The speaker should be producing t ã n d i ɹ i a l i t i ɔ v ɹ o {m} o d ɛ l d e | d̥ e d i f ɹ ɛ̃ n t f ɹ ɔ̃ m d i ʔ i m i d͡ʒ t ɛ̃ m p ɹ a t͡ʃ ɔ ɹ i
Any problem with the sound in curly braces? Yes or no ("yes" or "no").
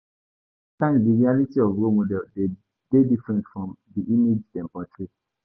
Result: no